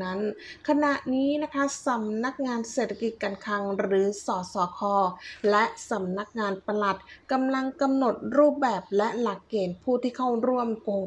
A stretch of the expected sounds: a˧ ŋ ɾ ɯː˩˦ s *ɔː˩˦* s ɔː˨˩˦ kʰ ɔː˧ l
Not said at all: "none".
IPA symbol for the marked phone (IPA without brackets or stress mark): ɔː˩˦